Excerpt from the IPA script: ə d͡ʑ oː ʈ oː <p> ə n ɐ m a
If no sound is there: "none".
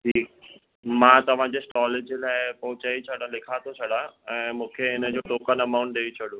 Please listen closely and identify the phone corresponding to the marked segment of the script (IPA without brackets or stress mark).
k